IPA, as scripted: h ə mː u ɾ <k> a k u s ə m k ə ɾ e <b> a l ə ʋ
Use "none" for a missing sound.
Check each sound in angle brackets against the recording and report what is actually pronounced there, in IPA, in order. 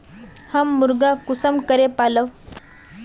ɡ, p

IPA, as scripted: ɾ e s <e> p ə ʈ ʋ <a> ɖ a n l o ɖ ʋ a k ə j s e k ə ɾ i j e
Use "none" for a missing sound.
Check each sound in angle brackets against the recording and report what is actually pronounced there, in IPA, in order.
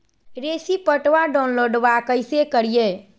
i, a

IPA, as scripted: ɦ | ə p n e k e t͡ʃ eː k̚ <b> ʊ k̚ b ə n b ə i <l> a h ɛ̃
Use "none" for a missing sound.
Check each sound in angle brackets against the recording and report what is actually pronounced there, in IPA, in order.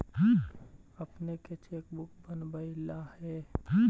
b, l

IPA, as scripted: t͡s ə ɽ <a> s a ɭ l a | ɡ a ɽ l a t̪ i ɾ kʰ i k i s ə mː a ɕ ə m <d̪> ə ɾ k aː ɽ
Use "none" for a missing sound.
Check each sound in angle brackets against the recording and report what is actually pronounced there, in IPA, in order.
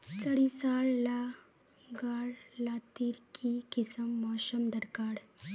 i, d̪

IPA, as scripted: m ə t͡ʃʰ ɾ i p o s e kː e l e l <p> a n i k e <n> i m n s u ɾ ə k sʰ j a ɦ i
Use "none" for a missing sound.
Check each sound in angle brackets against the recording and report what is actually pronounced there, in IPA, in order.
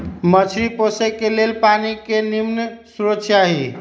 p, n

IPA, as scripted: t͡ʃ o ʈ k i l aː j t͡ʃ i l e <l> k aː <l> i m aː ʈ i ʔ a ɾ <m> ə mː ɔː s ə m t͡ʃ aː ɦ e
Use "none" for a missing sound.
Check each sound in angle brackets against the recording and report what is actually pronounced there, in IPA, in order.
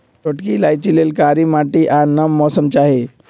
l, ɾ, n

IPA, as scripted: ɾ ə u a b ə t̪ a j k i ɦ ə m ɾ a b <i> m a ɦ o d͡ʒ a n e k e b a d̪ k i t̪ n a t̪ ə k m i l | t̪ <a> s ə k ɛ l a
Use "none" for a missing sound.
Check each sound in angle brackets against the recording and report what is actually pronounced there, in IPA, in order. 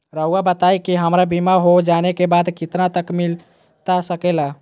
i, a

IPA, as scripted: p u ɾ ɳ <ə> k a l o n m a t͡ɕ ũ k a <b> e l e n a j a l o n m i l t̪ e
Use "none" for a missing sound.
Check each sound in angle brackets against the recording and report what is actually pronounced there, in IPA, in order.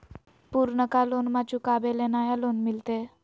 ə, b

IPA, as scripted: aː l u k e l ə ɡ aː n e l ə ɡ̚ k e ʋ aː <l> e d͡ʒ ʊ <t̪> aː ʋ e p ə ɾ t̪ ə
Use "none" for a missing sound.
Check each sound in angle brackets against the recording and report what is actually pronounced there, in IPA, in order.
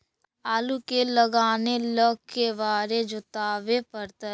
ɾ, t̪

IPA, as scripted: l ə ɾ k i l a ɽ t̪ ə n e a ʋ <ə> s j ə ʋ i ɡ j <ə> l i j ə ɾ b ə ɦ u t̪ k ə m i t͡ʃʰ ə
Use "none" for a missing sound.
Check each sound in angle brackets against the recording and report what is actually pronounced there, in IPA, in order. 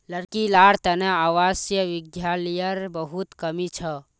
a, a

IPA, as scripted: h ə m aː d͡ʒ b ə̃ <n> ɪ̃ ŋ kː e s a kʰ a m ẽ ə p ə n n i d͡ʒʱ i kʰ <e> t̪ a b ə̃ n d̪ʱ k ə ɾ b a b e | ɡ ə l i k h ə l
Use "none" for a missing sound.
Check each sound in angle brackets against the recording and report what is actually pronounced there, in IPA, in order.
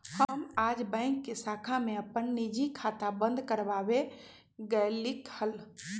none, a

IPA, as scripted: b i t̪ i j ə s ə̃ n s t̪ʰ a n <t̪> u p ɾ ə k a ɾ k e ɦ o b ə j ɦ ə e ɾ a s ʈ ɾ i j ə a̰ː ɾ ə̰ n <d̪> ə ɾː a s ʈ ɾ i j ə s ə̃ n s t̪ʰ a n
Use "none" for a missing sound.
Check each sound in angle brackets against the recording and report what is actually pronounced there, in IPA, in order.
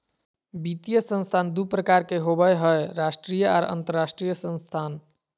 d̪, t̪

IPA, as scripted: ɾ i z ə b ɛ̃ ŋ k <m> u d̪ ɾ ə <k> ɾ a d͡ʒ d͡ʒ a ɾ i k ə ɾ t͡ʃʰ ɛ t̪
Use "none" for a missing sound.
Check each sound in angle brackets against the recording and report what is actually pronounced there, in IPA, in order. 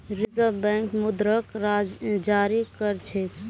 m, k

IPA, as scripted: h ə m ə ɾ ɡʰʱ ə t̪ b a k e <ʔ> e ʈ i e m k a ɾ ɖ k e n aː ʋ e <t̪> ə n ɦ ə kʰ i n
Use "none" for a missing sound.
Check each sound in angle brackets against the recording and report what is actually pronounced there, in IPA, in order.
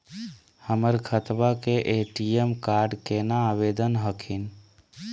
ʔ, d̪

